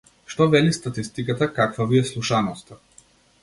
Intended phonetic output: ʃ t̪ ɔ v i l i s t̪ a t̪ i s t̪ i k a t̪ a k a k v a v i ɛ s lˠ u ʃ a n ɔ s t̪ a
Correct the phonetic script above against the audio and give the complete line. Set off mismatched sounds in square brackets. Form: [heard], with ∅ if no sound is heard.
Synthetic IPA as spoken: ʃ t̪ ɔ v [ɛ] l i s t̪ a t̪ i s t̪ i k a t̪ a k a k v a v i ɛ s lˠ u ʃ a n ɔ s t̪ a